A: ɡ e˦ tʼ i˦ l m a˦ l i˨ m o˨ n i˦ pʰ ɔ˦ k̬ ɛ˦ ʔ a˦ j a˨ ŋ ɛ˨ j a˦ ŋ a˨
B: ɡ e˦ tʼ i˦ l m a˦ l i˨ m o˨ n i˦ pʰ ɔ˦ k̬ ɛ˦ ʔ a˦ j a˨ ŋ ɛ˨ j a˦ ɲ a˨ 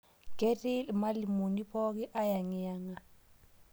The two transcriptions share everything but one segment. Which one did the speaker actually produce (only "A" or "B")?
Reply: A